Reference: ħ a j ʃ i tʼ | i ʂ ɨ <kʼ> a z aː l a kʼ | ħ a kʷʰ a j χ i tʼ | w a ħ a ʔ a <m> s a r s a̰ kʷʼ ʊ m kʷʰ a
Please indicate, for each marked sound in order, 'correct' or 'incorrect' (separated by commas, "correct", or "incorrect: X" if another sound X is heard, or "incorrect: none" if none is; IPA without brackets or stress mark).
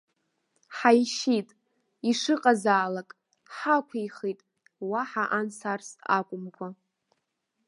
incorrect: qʼ, incorrect: n